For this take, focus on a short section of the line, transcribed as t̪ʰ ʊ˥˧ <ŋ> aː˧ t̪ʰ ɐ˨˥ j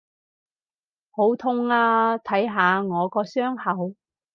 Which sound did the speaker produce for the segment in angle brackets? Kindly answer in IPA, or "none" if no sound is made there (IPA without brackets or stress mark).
ŋ